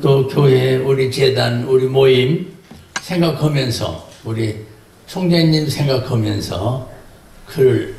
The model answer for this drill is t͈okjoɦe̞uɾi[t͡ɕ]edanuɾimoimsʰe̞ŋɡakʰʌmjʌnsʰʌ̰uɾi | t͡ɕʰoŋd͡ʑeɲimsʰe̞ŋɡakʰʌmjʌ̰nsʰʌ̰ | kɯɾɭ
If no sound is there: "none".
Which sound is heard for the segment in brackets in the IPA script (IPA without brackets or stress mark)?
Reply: t͡ɕ